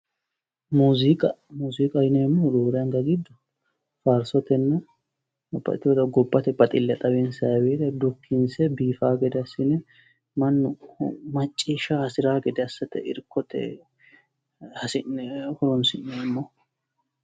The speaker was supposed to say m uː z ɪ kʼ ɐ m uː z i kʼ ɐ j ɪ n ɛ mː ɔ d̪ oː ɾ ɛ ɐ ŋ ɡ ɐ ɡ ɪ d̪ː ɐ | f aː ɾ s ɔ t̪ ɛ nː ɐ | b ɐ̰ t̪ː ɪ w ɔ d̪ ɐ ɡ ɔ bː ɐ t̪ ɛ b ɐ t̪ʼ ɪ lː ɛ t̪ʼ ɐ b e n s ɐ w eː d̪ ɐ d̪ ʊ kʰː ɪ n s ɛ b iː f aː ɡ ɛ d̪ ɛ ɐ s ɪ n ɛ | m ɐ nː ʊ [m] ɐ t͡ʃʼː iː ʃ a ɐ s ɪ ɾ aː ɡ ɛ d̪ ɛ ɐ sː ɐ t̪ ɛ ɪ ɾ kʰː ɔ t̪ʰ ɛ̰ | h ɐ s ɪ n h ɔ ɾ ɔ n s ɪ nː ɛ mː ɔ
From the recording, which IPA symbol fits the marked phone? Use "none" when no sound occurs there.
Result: m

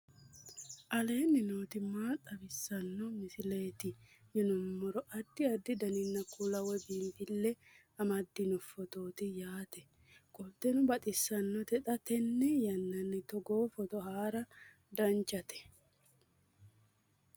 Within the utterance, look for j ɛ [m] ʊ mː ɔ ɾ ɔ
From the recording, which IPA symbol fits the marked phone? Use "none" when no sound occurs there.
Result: n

